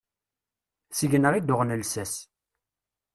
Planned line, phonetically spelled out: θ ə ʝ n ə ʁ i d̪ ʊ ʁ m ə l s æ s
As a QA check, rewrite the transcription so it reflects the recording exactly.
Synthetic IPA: s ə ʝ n ə ʁ i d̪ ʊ ʁ n ə l s æ s